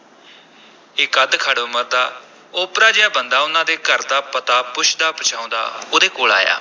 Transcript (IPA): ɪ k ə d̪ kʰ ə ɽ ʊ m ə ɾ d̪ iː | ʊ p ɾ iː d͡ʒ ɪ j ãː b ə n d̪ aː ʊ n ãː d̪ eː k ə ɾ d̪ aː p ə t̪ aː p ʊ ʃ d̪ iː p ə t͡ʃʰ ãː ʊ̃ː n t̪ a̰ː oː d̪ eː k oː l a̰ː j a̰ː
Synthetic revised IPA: ɪ k ə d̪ kʰ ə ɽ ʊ m ə ɾ d̪ aː | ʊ p ɾ aː d͡ʒ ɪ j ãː b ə n d̪ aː ʊ n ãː d̪ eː k ə ɾ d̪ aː p ə t̪ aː p ʊ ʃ d̪ aː p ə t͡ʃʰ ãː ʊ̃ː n d̪ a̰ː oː d̪ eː k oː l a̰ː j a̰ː